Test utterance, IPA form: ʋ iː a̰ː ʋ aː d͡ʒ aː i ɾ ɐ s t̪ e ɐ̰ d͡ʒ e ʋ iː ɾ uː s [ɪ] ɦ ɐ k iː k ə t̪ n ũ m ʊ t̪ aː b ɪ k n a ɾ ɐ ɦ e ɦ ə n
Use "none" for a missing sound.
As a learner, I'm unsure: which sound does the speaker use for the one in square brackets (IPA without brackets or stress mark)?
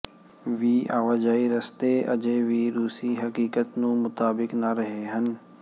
i